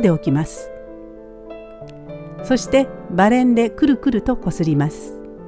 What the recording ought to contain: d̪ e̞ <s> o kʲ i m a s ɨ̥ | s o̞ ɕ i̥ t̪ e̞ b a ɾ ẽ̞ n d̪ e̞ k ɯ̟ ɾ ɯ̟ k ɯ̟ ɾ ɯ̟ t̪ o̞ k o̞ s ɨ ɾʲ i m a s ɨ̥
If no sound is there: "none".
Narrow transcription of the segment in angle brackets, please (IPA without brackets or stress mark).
none